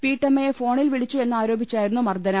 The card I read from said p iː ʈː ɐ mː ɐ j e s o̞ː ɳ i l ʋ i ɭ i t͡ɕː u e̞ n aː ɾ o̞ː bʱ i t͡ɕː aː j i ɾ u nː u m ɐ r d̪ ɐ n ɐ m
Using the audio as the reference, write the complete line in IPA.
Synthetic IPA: p iː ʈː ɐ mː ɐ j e f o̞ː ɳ i l ʋ i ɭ i t͡ɕː u e̞ nː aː ɾ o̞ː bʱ i t͡ɕː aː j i ɾ u nː u m ɐ r d̪ ɐ n ɐ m